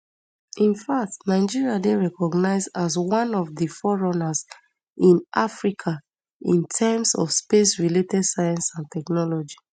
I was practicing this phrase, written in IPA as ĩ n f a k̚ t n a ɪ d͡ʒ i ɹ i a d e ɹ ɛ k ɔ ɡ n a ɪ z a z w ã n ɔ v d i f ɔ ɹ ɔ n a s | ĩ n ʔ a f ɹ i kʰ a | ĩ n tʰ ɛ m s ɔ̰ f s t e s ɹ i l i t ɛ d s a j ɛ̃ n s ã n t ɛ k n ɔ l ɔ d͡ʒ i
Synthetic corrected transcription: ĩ n f a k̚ t n a ɪ d͡ʒ i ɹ i a d e ɹ ɛ k ɔ ɡ n a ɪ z a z w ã n ɔ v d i f ɔ ɹ ɔ n a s | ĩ n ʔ a f ɹ i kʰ a | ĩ n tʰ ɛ m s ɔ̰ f s p e s ɹ i l e t ɛ d s a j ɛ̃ n s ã n t ɛ k n ɔ l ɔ d͡ʒ i